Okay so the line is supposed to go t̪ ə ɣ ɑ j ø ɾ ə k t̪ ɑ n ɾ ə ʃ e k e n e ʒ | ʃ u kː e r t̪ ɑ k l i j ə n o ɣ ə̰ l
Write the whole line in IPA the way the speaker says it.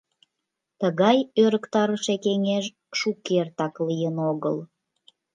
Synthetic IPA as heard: t̪ ə ɣ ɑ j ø ɾ ə k t̪ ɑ ɾ ə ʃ e k e ŋ e ʒ | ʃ u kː e r t̪ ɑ k l i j ə n o ɣ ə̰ l